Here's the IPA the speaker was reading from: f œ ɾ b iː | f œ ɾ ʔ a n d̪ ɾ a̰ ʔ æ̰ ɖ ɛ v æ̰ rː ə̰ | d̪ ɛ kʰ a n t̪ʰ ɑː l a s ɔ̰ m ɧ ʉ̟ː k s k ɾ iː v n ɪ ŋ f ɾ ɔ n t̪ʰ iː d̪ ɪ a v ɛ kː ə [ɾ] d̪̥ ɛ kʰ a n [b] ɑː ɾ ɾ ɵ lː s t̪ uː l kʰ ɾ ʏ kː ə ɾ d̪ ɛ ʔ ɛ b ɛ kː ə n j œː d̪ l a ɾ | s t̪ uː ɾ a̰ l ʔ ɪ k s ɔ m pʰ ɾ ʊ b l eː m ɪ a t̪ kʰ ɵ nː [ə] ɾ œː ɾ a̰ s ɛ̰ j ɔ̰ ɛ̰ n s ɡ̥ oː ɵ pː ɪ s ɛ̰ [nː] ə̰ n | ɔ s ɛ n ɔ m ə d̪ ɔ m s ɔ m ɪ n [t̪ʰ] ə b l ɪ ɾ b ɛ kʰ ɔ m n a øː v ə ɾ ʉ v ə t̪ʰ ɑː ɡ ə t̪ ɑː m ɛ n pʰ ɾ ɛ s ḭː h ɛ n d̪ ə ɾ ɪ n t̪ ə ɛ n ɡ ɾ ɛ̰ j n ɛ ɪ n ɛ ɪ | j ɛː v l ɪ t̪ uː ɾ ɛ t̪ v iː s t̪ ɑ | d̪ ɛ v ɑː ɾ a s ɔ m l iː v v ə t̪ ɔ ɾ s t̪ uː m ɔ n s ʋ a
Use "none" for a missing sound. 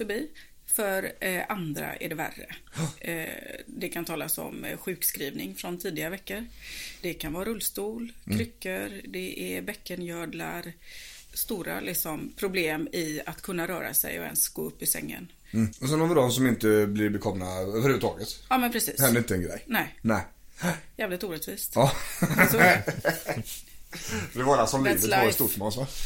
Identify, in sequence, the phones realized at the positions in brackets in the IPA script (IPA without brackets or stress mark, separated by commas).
ɾ, v, a, ŋː, t̪